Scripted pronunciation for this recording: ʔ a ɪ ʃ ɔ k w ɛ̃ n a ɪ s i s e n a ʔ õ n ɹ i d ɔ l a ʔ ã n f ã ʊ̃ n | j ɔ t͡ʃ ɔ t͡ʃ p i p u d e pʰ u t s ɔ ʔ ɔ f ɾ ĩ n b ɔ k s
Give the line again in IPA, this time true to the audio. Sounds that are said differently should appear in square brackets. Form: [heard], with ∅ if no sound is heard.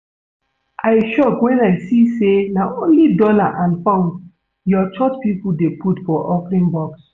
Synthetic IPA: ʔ a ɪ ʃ ɔ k w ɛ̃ n a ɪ s i s e n a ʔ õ n [l] i d ɔ l a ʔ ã n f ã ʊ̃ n | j ɔ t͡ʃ ɔ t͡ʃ p i p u d e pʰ u t [f] ɔ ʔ ɔ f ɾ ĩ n b ɔ k s